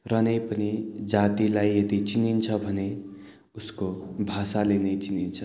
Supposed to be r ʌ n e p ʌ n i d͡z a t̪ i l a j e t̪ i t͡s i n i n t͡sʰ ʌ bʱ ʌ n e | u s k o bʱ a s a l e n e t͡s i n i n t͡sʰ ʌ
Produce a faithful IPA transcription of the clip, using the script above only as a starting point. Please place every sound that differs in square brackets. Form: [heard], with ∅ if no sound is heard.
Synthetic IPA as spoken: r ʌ n e p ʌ n i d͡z a t̪ i l a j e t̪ i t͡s i n i n t͡sʰ ʌ bʱ ʌ n e | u s k o bʱ a s a l e n e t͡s i n i n t͡sʰ ʌ